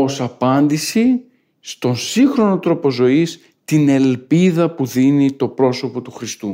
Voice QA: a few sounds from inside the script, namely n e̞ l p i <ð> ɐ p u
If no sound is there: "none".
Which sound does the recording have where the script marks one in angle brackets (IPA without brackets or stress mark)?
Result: ð